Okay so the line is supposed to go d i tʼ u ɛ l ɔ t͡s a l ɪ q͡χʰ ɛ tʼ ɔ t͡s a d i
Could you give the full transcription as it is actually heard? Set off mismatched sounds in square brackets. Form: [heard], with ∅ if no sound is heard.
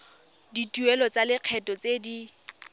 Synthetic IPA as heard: d i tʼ u ɛ l ɔ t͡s a l ɪ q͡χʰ ɛ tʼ ɔ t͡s [e] d i